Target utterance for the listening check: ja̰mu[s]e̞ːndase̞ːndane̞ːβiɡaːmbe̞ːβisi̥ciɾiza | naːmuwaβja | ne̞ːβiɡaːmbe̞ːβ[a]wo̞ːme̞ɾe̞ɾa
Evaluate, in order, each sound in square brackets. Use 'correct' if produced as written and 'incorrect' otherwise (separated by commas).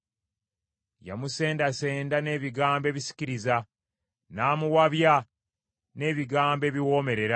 correct, incorrect